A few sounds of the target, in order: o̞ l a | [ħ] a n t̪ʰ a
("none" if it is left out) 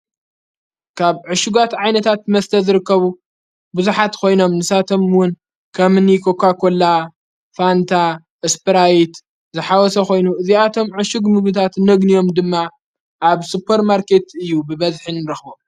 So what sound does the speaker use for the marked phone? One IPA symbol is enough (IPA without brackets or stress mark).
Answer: f